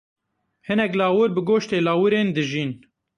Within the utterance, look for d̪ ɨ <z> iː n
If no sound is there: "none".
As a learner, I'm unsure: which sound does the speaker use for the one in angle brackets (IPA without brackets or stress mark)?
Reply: ʒ